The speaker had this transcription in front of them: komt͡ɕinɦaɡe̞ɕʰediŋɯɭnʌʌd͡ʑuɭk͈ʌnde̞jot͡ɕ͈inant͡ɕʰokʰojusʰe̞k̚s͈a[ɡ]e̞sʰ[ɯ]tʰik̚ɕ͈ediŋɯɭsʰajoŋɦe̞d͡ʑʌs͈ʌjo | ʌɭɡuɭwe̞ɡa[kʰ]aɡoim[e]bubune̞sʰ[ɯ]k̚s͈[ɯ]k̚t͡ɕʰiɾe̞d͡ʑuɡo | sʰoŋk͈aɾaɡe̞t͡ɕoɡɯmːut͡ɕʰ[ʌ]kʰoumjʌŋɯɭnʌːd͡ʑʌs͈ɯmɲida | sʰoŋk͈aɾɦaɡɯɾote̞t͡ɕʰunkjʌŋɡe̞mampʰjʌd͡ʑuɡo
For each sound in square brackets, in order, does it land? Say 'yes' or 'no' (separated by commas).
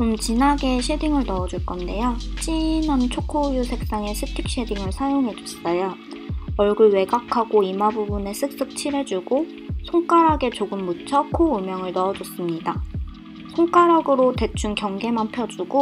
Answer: no, yes, yes, no, yes, yes, yes